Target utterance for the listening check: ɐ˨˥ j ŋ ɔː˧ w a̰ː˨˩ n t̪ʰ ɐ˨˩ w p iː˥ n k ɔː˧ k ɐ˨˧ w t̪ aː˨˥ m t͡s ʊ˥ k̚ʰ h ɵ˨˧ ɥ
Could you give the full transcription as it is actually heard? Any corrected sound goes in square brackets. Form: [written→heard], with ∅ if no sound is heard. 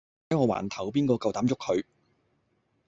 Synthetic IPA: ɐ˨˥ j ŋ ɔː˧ w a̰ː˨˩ n t̪ʰ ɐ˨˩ w p iː˥ n k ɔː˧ k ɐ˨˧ w t̪ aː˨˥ m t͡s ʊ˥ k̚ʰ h ɵ˨˧ ɥ